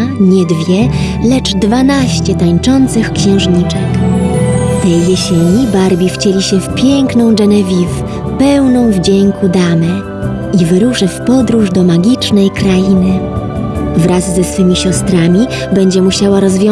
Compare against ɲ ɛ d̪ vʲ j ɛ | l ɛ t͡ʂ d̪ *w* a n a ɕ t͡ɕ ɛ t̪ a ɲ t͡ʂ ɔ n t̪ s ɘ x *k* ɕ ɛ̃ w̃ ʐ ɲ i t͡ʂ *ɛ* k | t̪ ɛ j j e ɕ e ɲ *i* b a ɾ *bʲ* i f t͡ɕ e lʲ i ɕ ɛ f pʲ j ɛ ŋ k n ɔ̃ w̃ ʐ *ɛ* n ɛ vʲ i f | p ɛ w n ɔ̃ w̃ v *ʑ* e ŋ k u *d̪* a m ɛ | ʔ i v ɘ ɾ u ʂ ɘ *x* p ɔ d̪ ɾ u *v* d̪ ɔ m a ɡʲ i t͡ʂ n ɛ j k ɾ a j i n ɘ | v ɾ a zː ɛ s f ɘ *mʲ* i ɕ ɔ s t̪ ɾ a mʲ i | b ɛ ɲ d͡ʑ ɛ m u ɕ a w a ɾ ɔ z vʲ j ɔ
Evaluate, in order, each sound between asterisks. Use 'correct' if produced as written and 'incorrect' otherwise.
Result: incorrect, correct, correct, correct, correct, correct, incorrect, correct, incorrect, incorrect, correct

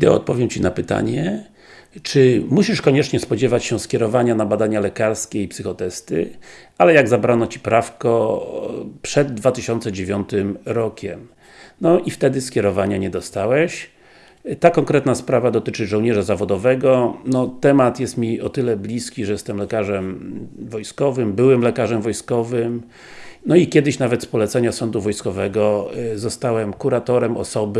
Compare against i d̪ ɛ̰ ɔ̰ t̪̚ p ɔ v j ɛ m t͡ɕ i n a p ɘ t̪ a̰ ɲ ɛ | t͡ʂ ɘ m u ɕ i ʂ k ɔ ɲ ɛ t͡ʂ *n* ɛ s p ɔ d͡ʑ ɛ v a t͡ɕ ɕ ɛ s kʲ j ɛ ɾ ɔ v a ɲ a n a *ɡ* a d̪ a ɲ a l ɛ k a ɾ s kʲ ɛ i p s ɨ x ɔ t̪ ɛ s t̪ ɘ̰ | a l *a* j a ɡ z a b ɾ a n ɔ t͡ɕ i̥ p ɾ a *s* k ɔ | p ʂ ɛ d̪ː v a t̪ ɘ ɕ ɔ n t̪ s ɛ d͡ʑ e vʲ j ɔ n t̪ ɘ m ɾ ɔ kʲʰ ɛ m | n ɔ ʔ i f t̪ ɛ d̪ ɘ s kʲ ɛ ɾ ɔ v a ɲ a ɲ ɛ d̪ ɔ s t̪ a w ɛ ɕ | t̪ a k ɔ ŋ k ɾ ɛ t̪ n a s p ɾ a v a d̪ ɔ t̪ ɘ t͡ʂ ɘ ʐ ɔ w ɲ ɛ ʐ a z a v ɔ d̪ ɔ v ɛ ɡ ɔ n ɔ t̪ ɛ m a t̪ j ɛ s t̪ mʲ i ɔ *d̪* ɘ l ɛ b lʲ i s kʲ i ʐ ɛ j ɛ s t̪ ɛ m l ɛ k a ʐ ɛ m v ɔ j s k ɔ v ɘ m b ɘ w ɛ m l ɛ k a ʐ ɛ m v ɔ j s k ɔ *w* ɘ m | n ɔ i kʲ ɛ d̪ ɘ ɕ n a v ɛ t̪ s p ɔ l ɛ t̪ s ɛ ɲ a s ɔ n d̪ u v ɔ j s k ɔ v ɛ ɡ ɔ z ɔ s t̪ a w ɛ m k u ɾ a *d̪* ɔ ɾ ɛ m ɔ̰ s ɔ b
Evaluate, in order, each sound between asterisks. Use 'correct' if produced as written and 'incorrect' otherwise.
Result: incorrect, incorrect, incorrect, incorrect, incorrect, incorrect, incorrect

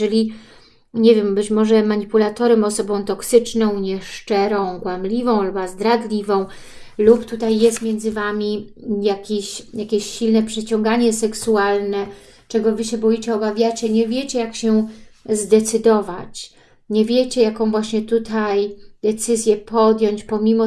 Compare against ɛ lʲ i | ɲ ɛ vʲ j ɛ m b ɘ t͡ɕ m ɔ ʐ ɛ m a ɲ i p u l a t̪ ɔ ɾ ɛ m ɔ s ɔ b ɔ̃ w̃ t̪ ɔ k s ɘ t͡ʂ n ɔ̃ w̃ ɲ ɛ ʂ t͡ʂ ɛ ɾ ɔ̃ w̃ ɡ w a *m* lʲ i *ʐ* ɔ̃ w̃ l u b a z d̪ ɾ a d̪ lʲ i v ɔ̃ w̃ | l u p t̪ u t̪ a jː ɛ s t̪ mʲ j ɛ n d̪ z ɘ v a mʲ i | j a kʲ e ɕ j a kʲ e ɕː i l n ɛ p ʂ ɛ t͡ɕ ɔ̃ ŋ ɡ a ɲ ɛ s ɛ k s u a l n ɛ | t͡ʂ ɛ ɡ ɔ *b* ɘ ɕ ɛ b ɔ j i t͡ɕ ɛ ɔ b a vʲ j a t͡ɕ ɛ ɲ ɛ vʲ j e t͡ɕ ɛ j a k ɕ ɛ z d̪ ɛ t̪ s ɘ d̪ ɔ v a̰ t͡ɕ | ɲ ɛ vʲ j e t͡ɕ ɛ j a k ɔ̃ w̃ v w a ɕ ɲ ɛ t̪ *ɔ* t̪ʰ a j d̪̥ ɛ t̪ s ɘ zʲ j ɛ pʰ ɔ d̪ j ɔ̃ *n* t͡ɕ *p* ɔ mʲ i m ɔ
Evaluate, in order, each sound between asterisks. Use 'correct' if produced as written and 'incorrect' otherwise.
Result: correct, incorrect, incorrect, incorrect, incorrect, correct

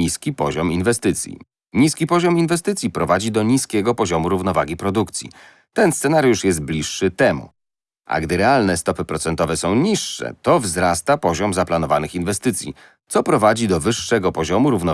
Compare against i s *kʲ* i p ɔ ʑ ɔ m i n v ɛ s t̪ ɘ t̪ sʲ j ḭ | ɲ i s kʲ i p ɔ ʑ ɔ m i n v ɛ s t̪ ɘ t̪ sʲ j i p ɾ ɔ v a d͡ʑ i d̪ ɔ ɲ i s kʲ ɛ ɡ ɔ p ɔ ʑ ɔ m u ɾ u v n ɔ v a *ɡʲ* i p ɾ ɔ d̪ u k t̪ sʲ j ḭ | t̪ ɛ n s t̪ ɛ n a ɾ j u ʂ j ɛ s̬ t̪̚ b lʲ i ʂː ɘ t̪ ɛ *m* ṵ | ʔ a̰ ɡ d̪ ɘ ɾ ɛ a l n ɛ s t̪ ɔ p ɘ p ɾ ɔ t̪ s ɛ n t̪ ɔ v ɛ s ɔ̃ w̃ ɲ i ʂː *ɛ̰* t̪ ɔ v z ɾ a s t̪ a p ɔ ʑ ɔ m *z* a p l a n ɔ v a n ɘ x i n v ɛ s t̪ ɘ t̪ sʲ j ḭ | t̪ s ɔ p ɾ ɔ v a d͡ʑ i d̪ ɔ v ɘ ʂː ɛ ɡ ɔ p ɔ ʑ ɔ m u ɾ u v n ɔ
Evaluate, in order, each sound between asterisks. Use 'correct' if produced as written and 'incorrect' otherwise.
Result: correct, correct, correct, correct, correct

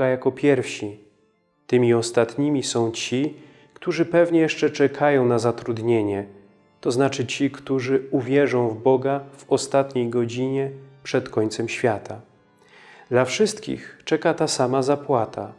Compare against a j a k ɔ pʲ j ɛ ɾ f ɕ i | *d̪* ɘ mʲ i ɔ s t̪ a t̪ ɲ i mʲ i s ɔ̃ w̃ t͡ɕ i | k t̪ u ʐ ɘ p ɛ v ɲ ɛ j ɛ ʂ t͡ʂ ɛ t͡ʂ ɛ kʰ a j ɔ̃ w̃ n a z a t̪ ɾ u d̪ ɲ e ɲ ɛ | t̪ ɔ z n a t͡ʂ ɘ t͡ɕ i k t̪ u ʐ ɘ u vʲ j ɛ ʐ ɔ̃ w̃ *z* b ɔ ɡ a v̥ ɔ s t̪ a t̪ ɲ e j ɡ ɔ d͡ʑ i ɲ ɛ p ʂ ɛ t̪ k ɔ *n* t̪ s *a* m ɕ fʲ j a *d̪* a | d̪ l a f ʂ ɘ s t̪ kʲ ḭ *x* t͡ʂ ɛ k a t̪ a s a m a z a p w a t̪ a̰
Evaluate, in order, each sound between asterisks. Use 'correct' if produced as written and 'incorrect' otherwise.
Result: incorrect, incorrect, incorrect, incorrect, incorrect, correct

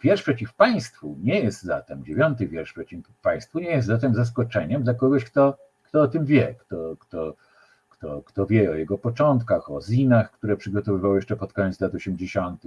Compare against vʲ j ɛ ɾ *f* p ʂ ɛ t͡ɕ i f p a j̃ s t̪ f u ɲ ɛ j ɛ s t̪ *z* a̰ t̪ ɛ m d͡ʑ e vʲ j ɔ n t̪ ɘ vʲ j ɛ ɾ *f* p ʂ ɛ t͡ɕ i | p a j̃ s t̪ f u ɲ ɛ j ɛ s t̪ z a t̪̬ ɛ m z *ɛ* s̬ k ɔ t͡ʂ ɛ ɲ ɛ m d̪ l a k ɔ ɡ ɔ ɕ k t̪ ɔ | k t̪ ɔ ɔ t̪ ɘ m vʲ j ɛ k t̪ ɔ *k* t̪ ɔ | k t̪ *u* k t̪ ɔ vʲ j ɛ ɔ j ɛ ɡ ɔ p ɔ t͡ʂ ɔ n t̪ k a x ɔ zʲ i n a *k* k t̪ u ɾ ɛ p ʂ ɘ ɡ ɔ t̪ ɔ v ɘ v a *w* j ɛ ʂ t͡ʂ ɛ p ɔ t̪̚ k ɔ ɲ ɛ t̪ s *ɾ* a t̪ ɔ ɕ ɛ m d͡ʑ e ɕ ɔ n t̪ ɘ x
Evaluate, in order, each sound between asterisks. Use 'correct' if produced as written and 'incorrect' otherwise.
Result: incorrect, correct, incorrect, incorrect, correct, incorrect, incorrect, correct, incorrect

